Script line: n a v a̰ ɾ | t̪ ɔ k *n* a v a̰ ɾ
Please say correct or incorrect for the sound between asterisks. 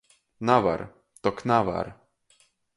correct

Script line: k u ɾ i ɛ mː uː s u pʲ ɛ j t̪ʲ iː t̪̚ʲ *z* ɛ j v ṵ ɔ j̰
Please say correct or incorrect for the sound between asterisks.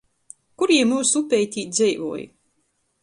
correct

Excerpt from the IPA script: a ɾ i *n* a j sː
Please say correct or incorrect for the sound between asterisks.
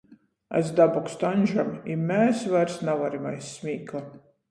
incorrect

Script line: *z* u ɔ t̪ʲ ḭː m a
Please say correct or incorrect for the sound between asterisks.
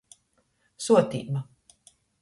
incorrect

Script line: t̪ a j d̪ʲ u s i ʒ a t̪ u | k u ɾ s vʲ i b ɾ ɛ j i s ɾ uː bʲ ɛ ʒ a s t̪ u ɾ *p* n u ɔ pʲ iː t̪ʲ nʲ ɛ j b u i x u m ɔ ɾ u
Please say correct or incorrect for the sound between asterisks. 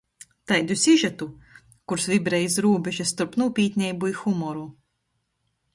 correct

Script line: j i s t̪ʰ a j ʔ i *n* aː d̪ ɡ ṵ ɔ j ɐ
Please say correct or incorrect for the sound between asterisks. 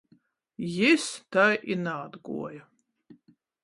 correct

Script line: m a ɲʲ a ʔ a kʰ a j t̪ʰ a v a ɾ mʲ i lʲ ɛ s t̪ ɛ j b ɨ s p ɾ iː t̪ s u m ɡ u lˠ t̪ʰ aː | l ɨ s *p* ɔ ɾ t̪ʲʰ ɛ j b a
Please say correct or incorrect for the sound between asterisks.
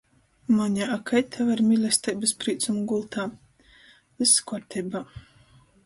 incorrect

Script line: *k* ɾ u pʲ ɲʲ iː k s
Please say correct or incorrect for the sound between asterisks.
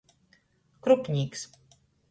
correct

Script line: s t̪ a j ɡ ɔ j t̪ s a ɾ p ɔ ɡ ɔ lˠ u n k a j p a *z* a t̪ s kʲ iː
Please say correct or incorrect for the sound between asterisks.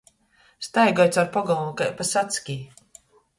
incorrect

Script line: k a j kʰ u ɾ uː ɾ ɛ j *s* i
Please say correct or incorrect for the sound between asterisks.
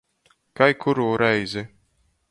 incorrect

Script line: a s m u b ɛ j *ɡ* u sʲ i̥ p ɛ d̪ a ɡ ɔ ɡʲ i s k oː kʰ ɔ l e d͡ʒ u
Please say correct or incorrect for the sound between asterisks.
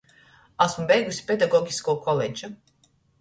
correct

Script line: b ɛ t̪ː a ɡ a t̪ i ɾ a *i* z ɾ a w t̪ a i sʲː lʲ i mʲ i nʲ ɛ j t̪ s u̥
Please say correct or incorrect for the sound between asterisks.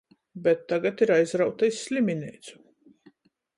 incorrect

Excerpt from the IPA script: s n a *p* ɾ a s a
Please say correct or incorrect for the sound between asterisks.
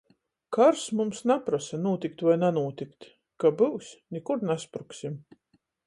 correct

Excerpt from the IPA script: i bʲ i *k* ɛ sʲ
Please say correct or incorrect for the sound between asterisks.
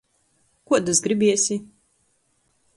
incorrect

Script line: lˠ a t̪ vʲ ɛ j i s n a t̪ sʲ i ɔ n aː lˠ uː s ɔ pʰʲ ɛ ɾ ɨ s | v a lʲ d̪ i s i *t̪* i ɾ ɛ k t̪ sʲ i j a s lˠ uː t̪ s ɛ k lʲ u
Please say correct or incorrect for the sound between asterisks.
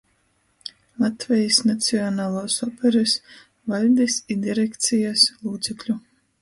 incorrect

